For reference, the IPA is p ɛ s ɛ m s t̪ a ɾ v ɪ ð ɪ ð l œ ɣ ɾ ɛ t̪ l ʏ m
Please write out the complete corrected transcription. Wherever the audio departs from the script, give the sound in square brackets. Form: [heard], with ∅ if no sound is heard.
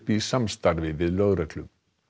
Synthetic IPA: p [i] s [a] m s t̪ a ɾ v ɪ [v] ɪ ð l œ ɣ ɾ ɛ t̪ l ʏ m